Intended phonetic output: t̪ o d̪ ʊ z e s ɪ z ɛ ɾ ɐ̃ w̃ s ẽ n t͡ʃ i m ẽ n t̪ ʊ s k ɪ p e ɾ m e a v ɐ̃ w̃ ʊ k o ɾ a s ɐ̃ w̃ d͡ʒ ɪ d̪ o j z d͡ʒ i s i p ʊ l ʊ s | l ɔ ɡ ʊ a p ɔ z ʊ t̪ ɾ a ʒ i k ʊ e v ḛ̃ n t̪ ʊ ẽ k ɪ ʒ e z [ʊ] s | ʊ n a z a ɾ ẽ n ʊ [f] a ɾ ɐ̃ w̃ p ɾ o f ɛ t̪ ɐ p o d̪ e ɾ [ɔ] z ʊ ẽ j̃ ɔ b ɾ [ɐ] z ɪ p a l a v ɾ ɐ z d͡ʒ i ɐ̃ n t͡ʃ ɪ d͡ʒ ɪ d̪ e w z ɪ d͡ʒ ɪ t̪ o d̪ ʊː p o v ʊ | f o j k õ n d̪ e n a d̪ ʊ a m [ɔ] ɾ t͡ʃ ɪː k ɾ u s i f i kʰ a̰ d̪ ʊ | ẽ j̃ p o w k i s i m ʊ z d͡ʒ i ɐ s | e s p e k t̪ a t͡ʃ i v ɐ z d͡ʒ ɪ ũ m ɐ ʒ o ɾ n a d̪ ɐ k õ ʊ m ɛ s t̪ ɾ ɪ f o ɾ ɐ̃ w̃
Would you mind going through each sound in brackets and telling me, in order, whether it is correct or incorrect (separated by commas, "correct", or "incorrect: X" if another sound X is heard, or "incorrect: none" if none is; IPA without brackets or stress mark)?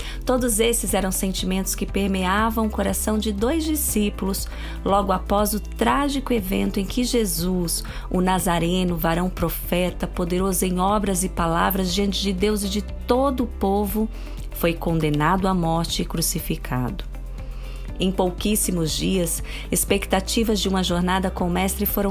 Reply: incorrect: u, incorrect: v, incorrect: o, correct, correct